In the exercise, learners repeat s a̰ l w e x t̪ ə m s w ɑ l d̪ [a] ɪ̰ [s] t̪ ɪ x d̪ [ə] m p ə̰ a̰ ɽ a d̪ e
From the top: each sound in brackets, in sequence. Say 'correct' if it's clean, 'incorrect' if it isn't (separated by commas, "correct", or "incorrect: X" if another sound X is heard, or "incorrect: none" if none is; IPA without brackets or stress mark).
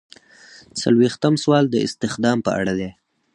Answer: incorrect: ə, correct, incorrect: ɑ